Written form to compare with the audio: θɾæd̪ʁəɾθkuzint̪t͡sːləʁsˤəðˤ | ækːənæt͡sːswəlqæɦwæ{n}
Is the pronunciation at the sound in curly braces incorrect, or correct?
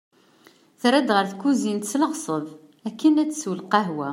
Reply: incorrect